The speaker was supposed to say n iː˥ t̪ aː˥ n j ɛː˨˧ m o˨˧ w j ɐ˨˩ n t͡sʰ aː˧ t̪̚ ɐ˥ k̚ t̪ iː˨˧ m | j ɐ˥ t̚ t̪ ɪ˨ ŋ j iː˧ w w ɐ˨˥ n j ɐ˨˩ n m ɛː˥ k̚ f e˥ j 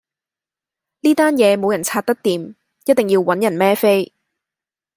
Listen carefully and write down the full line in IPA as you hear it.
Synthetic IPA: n iː˥ t̪ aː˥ n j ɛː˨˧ m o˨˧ w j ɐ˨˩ n t͡sʰ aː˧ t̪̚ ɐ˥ k̚ t̪ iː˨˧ m | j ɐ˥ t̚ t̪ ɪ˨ ŋ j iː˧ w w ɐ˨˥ n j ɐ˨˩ n m ɛː˥ f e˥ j